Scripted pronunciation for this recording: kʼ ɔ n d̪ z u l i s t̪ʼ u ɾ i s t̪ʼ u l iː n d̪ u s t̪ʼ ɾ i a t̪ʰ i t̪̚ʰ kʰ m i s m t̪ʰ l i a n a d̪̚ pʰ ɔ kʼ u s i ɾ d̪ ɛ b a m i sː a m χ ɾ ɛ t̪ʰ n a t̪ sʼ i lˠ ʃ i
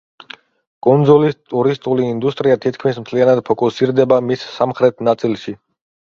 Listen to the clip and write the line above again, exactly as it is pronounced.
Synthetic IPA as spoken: kʼ u n d̪ z u l i s t̪ʼ u ɾ i s t̪ʼ u l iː n d̪ u s t̪ʼ ɾ i a t̪ʰ i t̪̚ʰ kʰ m i s m t̪ʰ l i a n a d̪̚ pʰ ɔ kʼ u s i ɾ d̪ ɛ b a m i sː a m χ ɾ ɛ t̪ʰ n a t̪ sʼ i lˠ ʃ i